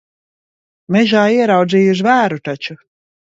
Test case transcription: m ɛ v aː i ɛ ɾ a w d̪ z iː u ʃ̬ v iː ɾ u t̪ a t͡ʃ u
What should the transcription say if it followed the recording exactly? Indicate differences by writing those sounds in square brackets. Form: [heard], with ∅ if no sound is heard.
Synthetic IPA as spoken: m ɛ [ʒ] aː i ɛ ɾ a w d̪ z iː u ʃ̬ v [æː] ɾ u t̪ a t͡ʃ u